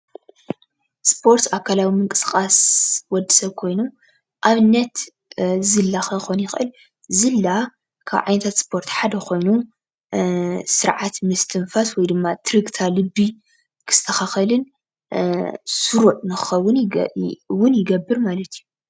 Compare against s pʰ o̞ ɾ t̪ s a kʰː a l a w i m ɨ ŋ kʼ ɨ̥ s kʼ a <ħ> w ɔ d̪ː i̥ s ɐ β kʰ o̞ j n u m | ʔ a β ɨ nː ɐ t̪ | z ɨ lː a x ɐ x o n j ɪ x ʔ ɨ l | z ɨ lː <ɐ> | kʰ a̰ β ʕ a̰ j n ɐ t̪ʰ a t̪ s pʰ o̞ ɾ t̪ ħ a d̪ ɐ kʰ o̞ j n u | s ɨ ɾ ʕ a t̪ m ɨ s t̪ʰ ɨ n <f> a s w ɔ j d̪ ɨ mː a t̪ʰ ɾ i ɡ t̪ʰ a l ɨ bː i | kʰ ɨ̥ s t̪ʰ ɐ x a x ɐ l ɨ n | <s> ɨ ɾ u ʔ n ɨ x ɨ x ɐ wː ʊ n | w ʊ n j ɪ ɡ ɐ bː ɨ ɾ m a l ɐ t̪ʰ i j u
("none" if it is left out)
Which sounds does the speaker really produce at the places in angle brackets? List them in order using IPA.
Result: s, a, f, s

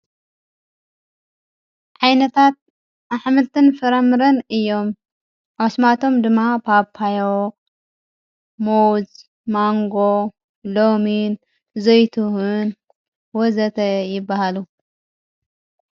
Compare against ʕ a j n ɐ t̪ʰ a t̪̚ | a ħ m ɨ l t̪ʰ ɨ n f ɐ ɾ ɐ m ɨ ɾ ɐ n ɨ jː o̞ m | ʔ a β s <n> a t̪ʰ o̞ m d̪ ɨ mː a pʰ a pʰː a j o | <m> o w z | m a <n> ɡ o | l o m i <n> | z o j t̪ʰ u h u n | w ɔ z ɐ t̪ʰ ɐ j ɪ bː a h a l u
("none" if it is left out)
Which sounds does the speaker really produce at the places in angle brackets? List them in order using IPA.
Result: m, m, ŋ, n

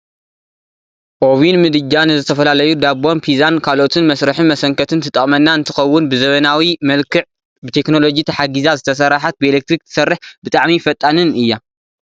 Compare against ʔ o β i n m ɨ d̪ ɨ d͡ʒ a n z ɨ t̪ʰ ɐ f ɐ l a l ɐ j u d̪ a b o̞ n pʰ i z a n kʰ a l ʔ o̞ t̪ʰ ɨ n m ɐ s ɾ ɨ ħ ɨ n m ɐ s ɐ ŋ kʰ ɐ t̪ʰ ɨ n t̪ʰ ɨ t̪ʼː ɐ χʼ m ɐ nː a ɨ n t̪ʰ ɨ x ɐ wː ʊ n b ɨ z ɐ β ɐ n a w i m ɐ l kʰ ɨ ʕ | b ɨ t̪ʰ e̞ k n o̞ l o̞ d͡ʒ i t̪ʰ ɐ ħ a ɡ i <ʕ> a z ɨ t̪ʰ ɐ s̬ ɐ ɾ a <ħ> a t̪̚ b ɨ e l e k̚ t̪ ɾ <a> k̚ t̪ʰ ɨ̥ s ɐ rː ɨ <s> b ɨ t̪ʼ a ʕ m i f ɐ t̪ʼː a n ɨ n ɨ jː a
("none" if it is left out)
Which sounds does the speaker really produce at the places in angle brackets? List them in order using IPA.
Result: z, ħ, i, ħ

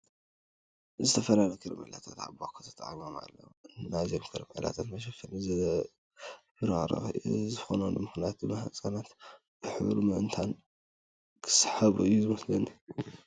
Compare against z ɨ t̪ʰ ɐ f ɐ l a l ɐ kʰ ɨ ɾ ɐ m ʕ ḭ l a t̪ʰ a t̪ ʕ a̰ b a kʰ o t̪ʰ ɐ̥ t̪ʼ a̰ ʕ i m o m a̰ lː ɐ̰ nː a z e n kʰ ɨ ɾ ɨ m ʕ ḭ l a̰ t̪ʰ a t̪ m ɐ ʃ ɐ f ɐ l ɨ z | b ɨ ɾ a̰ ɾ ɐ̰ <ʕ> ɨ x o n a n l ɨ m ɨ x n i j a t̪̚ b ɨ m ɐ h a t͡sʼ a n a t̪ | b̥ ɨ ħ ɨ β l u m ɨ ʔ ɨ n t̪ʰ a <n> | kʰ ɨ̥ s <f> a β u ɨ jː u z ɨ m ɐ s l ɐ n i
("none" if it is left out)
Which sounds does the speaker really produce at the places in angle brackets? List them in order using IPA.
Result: z, n, ħ

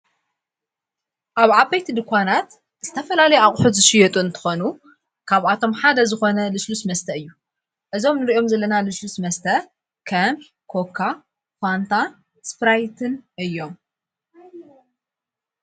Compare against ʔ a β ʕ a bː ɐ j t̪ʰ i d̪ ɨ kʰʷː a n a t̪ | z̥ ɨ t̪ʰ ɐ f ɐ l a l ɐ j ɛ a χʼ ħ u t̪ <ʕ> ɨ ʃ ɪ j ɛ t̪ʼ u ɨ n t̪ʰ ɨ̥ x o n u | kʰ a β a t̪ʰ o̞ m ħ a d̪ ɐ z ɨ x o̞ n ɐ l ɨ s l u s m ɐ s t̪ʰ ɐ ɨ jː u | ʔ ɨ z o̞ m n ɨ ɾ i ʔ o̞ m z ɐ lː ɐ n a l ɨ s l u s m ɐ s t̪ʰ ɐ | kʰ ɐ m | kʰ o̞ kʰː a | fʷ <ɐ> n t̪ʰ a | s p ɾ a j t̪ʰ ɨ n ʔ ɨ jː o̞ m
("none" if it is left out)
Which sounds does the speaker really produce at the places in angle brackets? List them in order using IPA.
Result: z, a

